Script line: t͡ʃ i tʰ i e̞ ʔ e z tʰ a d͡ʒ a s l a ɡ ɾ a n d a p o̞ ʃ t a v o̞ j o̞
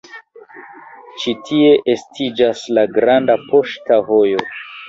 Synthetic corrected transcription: t͡ʃ i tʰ i e̞ ʔ e s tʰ i d͡ʒ a s l a ɡ ɾ a n d a p o̞ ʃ t a v o̞ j o̞